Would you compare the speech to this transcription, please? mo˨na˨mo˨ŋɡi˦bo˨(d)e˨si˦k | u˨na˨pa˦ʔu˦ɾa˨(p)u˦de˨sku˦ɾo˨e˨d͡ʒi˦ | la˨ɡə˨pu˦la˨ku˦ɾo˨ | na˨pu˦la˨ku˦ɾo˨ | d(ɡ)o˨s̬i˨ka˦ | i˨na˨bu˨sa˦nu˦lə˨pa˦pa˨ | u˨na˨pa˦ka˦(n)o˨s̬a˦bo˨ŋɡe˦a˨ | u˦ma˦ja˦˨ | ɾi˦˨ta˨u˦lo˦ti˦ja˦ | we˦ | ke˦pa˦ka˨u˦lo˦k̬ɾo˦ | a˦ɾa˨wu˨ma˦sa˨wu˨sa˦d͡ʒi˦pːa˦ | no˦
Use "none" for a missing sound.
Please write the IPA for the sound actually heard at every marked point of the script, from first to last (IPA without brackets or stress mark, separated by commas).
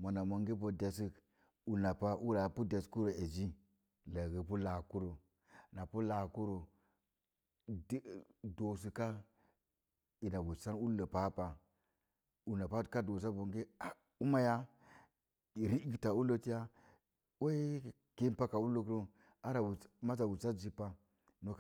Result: d, p, d, d